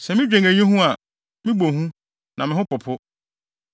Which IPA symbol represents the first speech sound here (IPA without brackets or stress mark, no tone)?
s